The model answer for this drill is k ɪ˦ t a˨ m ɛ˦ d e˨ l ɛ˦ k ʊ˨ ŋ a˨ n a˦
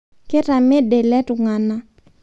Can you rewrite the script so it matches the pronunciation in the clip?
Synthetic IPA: k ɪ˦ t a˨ m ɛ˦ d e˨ l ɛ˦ t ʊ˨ ŋ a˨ n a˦